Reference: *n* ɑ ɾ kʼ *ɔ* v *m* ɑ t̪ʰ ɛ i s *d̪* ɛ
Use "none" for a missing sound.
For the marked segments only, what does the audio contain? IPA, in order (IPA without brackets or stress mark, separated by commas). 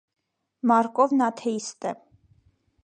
m, ɔ, n, t̪